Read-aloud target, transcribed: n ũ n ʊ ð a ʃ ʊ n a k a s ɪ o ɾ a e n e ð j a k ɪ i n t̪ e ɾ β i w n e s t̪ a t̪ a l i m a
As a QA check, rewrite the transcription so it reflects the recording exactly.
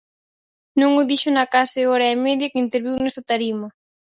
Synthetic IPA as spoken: n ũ ŋ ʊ ð i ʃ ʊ n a k a s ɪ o ɾ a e m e ð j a k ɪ i n t̪ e ɾ β i w n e s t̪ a t̪ a ɾ i m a